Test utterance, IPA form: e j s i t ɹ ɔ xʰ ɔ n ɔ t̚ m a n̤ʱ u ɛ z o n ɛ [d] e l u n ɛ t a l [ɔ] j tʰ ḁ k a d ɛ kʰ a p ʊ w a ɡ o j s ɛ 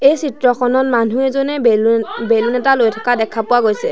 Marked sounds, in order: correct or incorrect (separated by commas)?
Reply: incorrect, incorrect